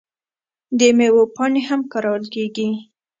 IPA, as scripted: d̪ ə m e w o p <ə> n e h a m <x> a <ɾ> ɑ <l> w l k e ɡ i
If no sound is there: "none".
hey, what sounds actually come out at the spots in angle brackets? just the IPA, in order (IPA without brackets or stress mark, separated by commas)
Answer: ɑ, k, ɾ, none